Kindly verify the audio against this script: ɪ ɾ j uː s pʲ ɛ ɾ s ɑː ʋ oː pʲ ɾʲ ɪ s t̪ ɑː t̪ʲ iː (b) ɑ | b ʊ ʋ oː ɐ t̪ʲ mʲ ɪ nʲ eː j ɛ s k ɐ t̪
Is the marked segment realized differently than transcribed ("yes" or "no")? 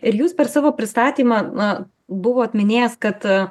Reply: yes